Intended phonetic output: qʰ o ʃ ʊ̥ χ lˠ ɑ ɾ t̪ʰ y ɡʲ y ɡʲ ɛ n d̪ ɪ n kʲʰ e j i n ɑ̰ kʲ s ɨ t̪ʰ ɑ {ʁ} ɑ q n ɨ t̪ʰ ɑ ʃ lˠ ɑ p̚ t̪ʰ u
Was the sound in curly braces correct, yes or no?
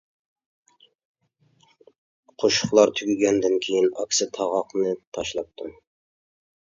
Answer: yes